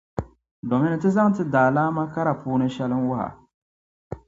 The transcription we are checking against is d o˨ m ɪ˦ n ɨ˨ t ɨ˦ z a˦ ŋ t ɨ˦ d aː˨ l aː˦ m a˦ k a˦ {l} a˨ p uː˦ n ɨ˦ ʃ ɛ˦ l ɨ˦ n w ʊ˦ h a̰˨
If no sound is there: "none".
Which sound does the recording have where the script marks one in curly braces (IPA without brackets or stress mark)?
ɾ